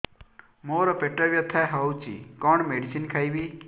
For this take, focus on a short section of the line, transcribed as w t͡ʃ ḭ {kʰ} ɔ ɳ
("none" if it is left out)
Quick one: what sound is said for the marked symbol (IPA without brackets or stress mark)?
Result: k